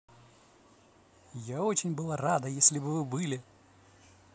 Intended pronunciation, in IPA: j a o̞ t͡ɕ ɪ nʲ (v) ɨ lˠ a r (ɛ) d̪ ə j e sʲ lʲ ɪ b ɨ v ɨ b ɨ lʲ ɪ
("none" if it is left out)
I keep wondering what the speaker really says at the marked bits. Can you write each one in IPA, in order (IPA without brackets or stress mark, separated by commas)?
b, a